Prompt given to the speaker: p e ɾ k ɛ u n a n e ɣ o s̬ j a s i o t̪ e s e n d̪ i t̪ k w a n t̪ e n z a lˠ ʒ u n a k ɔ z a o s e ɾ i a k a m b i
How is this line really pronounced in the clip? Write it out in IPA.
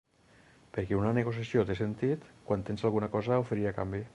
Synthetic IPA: p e ɾ k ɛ u n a n e ɣ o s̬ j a s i o t̪ e s e n t̪ i t̪ k w a n t̪ e n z a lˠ ɣ u n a k ɔ z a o f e ɾ i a k a m b i

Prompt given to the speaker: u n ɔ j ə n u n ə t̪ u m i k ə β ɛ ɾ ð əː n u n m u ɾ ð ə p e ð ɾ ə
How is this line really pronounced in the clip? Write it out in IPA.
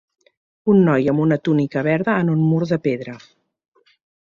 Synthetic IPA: u nː ɔ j ə m u n ə t̪ u n i k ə β ɛ ɾ ð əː n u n m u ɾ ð ə p e ð ɾ ə

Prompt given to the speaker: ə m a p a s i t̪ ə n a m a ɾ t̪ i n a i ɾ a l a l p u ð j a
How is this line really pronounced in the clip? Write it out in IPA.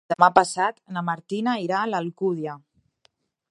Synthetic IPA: ə m a p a s a t̪ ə n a m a ɾ t̪ i n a i ɾ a l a l k u ð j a

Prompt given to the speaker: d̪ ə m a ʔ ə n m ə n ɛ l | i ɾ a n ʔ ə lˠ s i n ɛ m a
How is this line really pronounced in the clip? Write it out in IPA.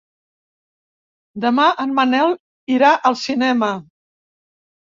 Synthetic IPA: d̪ ə m a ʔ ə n m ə n ɛ l | i ɾ a ʔ ə lˠ s i n ɛ m ə

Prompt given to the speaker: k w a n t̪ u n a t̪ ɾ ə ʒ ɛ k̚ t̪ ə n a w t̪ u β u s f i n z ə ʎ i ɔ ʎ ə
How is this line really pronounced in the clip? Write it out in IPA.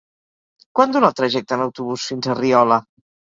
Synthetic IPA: k w a n d̪ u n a t̪ ɾ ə ʒ ɛ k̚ t̪ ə n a w t̪ u β u s f i n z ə r i ɔ l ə

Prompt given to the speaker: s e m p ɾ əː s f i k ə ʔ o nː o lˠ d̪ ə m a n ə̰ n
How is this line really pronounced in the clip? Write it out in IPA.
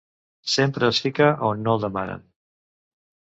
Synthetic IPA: s e m p ɾ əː s f i k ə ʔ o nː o lˠ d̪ ə m a n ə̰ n

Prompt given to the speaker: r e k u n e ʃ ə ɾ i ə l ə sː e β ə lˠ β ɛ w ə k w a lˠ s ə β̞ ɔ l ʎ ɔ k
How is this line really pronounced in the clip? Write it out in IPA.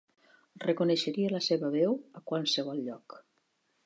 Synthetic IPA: r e k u n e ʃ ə ɾ i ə l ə s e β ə β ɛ w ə k w a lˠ s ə β̞ ɔ l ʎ ɔ k

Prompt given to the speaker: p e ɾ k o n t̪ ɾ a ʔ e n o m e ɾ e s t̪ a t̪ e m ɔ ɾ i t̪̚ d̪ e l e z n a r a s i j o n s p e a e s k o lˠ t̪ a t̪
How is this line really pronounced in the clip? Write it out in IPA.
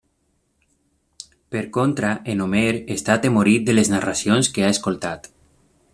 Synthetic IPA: p e ɾ k o n t̪ ɾ a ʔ e n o m e ɾ e s t̪ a t̪ e m o ɾ i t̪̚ d̪ e l e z n a r a s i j o n s k e a e s k o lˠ t̪ a t̪

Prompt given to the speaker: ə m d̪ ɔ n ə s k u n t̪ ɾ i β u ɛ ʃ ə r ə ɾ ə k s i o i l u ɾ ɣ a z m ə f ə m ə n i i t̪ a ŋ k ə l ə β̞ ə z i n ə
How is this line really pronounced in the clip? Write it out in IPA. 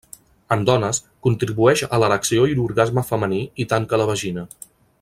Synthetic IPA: ə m d̪ ɔ n ə s k u n t̪ ɾ i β u ɛ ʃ ə l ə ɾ ə k s i o i l u ɾ ɣ a z m ə f ə m ə n i i t̪ a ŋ k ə l ə β̞ ə ʒ i n ə

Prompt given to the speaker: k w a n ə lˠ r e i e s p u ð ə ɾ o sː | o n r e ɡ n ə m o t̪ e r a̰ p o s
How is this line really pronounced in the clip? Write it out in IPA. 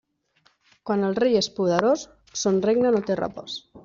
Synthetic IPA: k w a n ə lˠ r e j e s p u ð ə ɾ o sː | o n r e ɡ n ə n o t̪ e r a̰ p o s

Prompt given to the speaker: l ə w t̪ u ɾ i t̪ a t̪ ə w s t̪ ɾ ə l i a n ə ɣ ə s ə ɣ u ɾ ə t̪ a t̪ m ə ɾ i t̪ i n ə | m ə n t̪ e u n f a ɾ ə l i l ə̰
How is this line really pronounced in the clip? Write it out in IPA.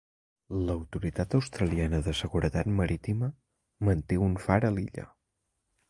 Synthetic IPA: l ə w t̪ u ɾ i t̪ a t̪ ə w s t̪ ɾ ə l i a n ə ð ə s ə ɣ u ɾ ə t̪ a t̪ m ə ɾ i t̪ i m ə | m ə n t̪ e u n f a ɾ ə l i ʎ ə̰

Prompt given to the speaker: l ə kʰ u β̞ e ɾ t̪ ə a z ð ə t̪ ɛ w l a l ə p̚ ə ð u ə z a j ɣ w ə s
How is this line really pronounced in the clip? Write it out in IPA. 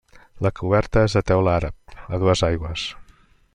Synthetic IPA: l ə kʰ u β̞ ɛ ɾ t̪ ə e z ð ə t̪ ɛ w l a ɾ ə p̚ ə ð u ə z a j ɣ w ə s

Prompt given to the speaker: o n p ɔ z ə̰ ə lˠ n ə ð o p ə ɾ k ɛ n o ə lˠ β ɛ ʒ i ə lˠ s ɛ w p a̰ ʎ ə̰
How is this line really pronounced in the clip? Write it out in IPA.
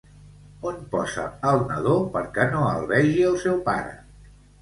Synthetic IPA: o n p ɔ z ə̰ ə lˠ n ə ð o p ə ɾ k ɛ n o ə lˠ β ɛ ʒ i ə lˠ s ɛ w p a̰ ɾ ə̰

